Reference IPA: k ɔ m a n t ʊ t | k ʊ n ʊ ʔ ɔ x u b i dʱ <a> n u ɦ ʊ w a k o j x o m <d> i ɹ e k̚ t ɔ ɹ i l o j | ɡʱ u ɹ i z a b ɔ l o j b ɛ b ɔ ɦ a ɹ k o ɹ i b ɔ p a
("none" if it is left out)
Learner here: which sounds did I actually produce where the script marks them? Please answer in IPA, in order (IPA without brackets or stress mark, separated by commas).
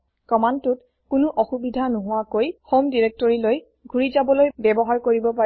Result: a, d